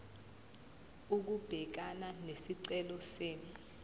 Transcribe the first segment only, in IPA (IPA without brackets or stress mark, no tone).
u